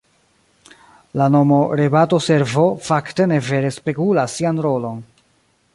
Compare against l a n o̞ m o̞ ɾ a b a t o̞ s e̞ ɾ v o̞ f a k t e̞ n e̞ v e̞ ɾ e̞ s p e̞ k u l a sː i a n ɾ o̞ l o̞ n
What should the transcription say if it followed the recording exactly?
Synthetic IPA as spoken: l a n o̞ m o̞ ɾ e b a t o̞ s e̞ ɾ v o̞ f a k t e̞ n e̞ v e̞ ɾ e̞ s p e̞ k u l a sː i a n ɾ o̞ l o̞ n